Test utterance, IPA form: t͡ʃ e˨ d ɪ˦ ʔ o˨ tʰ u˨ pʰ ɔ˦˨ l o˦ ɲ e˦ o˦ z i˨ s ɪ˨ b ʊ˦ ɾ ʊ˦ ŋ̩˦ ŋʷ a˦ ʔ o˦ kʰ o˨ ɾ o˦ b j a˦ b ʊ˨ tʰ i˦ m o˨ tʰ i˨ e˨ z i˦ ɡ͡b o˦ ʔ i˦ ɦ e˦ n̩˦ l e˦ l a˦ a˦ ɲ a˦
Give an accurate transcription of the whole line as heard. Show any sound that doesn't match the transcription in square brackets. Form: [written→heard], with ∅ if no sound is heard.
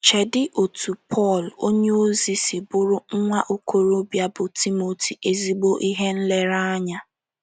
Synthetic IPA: t͡ʃ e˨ d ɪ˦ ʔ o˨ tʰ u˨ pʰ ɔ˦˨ l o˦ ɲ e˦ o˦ z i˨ s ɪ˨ b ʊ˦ ɾ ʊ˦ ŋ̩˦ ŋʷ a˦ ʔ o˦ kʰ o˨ ɾ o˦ b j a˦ b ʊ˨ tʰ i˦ m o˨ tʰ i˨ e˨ z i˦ ɡ͡b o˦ ʔ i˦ ɦ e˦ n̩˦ l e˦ [l→ɾ] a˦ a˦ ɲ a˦